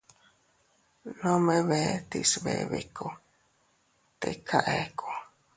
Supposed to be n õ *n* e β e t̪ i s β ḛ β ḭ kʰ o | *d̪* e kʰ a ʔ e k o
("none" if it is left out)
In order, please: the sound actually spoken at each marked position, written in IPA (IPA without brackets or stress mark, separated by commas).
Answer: m, t̪